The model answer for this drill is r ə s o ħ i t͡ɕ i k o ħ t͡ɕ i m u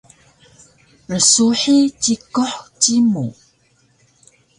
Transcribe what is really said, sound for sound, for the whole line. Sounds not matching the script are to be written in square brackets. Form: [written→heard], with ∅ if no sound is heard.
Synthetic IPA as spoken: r ə s [o→u] ħ i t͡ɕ i k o ħ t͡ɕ i m u